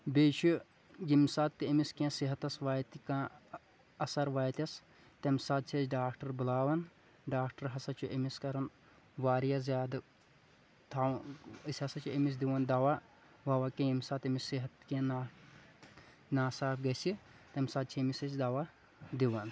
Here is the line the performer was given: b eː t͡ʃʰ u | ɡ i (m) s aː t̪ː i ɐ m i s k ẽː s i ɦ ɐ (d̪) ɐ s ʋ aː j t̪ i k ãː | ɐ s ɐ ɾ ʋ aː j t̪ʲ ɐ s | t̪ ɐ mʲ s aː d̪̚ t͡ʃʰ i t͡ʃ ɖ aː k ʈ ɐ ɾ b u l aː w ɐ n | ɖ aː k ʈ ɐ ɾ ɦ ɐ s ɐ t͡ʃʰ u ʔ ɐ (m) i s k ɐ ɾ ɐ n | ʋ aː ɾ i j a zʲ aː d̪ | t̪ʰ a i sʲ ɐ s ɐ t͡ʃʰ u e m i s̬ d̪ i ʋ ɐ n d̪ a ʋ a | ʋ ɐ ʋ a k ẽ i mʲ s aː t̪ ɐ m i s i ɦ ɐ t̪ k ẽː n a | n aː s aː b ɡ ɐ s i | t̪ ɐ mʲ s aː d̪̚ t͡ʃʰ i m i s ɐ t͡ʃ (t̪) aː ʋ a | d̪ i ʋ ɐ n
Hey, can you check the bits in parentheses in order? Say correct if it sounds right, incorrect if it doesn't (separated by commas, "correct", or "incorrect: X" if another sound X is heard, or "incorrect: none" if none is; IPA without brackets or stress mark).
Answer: correct, incorrect: t̪, correct, incorrect: d̪